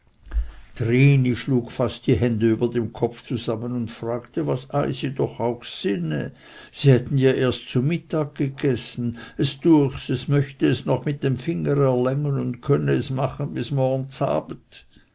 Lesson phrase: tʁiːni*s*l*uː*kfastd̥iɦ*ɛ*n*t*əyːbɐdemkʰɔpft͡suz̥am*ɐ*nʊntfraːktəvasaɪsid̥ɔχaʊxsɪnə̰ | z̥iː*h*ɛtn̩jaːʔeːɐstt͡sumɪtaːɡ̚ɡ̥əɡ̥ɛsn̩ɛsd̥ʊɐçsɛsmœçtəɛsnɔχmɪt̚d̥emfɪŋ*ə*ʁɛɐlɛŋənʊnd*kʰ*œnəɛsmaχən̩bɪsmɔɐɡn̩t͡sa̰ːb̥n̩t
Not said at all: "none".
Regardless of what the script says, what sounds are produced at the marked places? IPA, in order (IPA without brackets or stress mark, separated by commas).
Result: ʃ, uː, ɛ, d, ə, h, ə, kʰ